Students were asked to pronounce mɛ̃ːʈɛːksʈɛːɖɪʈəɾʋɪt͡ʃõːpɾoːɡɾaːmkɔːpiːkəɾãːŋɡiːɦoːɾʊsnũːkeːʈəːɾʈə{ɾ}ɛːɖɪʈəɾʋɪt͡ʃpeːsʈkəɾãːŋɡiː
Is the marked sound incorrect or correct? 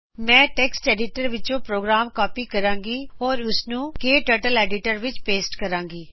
incorrect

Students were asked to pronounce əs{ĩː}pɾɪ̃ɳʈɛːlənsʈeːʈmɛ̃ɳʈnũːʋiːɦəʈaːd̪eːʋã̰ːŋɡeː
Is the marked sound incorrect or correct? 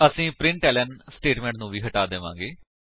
correct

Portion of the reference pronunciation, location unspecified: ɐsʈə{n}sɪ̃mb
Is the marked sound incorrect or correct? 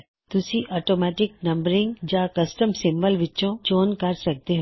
incorrect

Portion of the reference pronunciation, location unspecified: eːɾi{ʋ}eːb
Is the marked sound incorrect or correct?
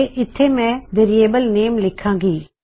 incorrect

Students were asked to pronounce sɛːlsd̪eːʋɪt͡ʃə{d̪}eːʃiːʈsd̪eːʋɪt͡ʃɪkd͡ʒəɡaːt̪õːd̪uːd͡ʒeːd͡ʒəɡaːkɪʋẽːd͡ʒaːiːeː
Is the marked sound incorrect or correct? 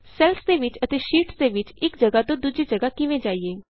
incorrect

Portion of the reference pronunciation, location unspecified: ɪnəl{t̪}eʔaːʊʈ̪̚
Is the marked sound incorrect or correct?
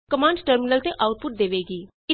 correct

